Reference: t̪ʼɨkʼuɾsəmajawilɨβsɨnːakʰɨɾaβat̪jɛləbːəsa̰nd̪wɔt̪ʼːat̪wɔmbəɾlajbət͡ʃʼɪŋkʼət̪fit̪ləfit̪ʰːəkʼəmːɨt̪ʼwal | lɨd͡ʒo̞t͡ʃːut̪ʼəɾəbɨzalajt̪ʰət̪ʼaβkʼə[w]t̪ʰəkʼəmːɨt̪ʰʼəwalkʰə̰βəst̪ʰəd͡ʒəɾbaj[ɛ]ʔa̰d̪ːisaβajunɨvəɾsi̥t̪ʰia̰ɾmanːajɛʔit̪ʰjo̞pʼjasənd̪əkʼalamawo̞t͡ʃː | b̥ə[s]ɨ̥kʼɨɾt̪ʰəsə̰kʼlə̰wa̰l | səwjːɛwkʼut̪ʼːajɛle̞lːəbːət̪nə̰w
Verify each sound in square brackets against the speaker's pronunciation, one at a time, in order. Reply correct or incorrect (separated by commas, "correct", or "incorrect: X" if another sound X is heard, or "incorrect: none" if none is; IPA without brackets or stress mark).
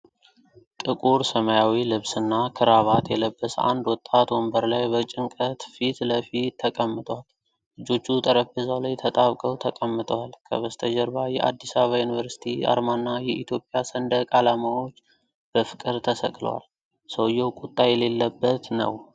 correct, correct, incorrect: f